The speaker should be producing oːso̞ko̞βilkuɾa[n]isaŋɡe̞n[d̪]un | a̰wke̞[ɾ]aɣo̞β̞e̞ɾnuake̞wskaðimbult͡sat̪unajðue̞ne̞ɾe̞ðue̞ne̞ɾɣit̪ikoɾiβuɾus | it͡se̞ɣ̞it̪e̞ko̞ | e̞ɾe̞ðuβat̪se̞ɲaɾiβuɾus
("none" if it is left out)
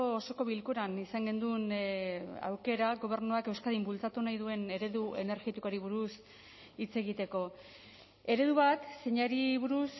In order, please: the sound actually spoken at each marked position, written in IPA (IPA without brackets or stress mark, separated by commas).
n, d̪, ɾ